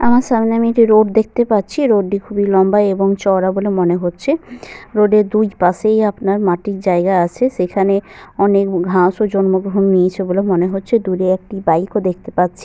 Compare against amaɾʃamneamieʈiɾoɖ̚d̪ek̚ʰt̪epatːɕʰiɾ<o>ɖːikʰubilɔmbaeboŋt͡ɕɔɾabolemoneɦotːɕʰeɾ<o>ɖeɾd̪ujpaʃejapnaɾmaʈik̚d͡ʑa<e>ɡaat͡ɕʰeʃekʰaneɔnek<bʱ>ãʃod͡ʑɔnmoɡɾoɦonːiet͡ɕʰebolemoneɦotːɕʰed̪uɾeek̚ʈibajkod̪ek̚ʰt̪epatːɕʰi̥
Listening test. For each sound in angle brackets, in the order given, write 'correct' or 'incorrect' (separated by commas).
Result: correct, correct, correct, incorrect